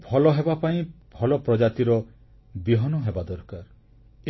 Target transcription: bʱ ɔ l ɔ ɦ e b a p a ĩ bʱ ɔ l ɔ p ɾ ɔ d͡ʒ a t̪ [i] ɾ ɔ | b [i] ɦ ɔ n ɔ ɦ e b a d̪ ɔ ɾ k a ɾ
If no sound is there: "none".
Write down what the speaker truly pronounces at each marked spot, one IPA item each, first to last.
i, i

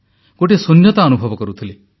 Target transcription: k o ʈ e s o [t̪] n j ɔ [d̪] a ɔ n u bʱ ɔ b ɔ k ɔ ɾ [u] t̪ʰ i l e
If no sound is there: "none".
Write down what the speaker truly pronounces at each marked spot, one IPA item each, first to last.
none, t̪, u

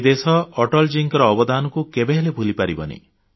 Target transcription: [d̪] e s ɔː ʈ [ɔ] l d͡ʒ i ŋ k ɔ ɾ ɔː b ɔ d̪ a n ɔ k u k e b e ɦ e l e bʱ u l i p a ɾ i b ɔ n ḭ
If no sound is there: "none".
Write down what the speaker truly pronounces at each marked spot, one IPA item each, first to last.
d̪, ɔ

